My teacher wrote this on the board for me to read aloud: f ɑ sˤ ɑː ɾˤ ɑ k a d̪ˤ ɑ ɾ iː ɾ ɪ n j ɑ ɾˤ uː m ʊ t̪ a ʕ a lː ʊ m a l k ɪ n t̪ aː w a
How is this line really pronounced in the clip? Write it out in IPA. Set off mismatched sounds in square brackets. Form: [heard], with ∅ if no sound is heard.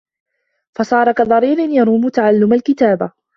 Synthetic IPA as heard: f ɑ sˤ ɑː ɾˤ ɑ k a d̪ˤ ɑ ɾ iː ɾ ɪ n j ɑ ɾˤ uː m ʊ t̪ a ʕ a lː ʊ m a l k ɪ [∅] t̪ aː [b] a